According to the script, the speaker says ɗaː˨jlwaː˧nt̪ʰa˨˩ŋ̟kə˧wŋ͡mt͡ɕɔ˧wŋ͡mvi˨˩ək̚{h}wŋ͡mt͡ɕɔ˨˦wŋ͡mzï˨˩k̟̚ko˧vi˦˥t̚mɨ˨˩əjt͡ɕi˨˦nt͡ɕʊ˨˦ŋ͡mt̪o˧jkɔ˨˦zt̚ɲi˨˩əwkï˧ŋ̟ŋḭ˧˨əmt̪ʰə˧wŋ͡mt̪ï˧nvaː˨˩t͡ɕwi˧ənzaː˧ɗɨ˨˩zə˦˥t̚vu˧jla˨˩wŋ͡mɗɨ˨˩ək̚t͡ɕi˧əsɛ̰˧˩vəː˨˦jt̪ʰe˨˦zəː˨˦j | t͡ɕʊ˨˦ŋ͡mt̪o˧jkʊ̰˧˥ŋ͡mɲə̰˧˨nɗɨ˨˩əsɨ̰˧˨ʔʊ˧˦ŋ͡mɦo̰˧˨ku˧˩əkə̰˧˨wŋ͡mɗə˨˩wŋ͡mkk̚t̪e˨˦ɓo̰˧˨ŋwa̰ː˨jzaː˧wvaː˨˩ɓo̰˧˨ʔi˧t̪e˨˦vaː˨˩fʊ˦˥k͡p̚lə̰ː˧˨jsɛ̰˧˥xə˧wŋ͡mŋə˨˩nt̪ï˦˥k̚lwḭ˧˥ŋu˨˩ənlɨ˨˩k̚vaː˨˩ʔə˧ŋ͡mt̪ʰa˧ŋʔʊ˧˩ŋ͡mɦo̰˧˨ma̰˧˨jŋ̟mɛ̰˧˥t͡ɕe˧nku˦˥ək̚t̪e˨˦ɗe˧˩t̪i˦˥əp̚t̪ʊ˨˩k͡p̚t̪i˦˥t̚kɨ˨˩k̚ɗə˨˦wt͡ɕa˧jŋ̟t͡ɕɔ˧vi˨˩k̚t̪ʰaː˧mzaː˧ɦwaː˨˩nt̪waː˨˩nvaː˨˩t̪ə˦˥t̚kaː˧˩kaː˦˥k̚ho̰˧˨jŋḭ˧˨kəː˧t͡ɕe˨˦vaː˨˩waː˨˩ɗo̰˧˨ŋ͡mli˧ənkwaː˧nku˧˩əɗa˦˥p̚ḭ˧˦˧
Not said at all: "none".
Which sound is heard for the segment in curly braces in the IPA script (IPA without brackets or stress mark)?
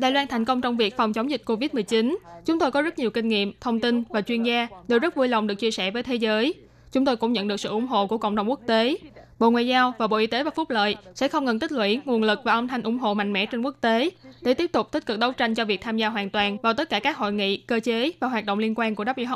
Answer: f